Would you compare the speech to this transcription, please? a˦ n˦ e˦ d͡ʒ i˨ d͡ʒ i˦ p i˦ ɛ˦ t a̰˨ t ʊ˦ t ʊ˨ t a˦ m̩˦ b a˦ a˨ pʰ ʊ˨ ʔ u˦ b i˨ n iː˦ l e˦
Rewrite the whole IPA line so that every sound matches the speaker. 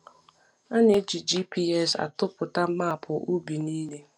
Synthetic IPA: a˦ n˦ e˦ d͡ʒ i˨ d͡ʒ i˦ p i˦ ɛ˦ s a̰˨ t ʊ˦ p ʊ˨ t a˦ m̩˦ m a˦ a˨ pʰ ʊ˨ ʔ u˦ b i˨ n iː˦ l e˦